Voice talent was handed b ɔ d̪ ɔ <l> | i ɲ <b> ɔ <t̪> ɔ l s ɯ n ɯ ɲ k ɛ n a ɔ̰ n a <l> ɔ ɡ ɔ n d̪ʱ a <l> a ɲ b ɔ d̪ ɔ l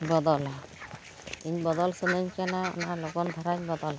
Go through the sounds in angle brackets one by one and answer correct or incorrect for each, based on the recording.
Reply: correct, correct, incorrect: d̪, correct, incorrect: ɾ

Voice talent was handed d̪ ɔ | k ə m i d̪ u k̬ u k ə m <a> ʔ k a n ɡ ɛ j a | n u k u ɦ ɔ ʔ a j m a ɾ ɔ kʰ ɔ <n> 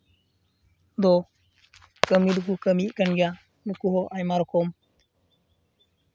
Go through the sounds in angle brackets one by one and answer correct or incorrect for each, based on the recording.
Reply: incorrect: i, incorrect: m

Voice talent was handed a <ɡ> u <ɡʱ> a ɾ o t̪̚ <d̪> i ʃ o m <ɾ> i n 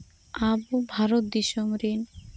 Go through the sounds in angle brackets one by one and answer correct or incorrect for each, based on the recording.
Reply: incorrect: b, incorrect: bʱ, correct, correct

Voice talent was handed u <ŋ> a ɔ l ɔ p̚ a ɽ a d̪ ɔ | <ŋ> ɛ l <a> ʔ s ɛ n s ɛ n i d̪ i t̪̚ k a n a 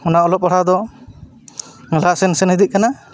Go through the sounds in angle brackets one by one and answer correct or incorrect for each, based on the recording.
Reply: incorrect: n, correct, correct

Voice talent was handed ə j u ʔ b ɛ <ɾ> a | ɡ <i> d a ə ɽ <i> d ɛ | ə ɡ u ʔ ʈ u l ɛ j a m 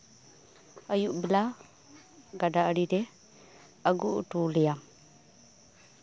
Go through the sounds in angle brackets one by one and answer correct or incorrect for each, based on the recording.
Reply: incorrect: l, incorrect: a, correct

